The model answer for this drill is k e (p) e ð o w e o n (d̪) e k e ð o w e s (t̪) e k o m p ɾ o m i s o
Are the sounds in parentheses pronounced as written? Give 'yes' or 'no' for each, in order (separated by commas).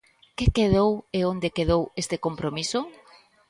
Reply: no, yes, yes